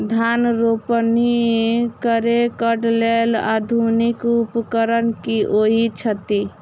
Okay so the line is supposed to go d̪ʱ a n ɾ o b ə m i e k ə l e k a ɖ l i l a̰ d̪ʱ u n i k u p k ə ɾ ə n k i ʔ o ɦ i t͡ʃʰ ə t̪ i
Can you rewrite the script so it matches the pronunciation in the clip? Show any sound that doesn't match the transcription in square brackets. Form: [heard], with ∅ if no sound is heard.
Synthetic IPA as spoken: d̪ʱ a n ɾ o [p] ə [n] i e k ə [ɾ] e k [ə] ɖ l [e] l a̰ d̪ʱ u n i k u p k ə ɾ ə n k i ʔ o ɦ i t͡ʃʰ ə t̪ i